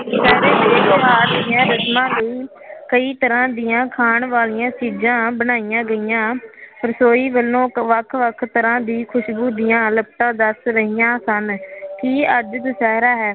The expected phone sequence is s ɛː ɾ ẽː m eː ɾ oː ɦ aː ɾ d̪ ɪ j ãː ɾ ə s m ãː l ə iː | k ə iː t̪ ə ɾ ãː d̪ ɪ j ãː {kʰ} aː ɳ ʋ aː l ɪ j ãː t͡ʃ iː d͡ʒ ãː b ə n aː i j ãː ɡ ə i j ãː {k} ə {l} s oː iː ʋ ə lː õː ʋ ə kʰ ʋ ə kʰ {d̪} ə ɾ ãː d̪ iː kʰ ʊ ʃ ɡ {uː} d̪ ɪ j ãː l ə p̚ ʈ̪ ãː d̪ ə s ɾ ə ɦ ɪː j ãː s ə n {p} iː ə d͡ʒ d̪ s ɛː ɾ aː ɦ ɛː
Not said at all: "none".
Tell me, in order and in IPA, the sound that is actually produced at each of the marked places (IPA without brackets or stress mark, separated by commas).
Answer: kʰ, p, ɾ, t̪, uː, k